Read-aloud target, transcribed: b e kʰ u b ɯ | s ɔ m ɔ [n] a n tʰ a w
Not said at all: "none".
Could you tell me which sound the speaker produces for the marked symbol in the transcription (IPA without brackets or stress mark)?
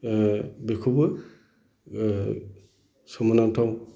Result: n